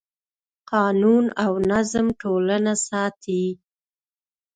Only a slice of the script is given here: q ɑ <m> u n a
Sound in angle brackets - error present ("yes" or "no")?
yes